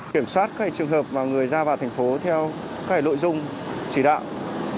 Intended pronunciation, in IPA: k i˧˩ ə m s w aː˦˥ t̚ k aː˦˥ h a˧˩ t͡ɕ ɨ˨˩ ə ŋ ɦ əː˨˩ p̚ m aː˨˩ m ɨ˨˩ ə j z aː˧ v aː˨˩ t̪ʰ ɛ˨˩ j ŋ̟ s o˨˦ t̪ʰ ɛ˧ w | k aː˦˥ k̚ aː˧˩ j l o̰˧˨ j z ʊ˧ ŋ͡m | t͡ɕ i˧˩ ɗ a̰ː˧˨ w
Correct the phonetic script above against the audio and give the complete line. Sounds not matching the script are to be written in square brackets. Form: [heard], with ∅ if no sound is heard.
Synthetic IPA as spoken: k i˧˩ ə m s w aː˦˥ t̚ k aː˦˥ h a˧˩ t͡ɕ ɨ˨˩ ə ŋ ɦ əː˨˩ p̚ m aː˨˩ [ŋ] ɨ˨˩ ə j z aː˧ v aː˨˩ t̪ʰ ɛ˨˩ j ŋ̟ [f] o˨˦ t̪ʰ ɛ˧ w | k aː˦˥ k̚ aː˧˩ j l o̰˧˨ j z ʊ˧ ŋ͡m | t͡ɕ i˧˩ ɗ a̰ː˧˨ w